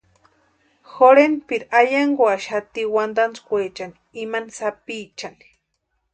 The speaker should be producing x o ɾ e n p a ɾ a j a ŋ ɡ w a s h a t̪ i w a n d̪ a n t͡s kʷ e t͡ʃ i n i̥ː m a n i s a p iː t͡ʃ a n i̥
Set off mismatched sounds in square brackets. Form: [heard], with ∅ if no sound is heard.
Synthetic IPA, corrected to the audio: x o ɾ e n p [i] ɾ a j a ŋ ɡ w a [ʃ] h a t̪ i w a n d̪ a n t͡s kʷ e t͡ʃ [a] n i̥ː m a n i s a p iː t͡ʃ a n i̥